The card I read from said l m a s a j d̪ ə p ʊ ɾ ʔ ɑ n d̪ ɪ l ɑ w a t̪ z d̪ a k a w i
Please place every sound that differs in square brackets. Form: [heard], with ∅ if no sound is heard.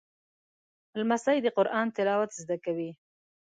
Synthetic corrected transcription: l m a s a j d̪ ə [q] ʊ ɾ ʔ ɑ n [t̪] ɪ l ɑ w a t̪ z d̪ a k a w i